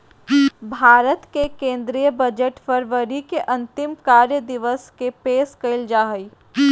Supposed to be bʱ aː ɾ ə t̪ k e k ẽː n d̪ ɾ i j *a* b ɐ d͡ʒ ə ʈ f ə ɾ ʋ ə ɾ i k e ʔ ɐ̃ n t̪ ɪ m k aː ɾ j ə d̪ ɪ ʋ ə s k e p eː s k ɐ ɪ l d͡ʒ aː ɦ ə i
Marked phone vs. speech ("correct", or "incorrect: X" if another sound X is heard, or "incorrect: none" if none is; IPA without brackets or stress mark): incorrect: ə